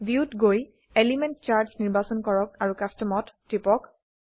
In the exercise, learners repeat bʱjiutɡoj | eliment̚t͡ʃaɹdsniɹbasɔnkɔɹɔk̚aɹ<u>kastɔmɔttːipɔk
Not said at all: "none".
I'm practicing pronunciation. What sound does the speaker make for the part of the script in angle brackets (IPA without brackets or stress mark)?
u